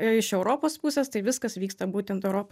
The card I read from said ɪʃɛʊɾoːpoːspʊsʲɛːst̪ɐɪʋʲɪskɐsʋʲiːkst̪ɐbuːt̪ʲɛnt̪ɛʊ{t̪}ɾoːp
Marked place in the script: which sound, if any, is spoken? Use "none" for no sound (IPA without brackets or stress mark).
none